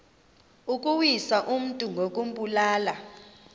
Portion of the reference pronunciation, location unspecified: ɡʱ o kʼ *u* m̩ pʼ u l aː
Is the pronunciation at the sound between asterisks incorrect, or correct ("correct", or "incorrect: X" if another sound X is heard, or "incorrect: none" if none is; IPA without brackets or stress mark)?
correct